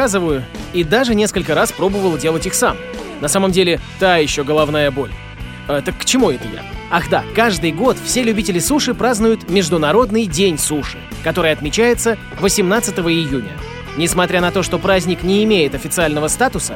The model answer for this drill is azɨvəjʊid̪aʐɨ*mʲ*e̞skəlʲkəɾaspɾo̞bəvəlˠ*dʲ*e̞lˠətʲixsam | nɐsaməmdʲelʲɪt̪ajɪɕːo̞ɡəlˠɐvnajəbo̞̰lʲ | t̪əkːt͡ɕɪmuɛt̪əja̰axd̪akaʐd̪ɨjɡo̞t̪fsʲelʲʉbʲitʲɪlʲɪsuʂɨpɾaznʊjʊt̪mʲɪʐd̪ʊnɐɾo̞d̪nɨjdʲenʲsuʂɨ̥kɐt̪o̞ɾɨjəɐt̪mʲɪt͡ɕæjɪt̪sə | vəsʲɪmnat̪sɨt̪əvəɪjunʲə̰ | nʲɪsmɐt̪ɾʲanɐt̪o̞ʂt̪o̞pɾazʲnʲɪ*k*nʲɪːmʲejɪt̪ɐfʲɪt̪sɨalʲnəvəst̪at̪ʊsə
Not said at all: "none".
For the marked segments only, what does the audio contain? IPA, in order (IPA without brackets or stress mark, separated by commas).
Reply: nʲ, dʲ, k